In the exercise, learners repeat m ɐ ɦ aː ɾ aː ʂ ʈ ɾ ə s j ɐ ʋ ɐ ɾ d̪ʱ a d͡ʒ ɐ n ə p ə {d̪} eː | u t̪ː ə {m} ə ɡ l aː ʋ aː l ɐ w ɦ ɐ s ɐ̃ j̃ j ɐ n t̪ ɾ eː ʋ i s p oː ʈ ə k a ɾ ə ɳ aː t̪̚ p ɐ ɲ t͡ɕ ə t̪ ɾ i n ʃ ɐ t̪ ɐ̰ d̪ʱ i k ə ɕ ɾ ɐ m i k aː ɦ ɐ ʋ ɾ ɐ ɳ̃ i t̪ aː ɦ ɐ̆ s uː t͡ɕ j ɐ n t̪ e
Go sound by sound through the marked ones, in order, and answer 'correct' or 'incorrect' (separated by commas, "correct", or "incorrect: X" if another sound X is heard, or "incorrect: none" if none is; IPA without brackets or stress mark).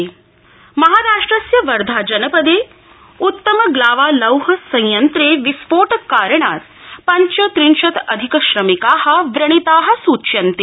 correct, correct